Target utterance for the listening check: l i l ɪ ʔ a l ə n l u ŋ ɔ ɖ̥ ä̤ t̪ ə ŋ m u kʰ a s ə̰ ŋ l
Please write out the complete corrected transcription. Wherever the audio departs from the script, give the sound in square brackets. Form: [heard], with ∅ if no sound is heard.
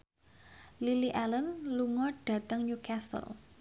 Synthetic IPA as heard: l i l [i] ʔ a l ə n l u ŋ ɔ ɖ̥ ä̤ t̪ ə ŋ [ɲ] u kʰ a s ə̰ [∅] l